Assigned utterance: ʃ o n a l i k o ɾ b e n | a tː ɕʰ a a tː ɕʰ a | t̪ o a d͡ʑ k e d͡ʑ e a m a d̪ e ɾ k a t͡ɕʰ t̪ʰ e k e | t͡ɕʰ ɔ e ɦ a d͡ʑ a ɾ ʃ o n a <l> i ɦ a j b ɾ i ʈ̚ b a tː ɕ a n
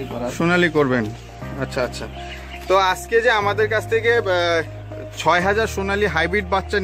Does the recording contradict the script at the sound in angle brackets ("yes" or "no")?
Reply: no